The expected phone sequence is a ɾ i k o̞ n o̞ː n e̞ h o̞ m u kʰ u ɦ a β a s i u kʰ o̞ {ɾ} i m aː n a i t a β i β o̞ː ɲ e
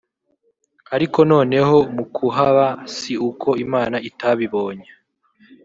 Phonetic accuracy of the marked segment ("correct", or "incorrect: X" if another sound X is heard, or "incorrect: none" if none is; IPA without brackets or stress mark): incorrect: none